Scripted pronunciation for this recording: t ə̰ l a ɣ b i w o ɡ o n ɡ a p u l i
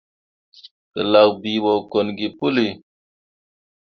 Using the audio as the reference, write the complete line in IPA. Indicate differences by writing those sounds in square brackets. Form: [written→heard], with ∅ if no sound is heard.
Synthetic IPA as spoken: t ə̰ l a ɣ b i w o [ɡ→k] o n ɡ [a→i] p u l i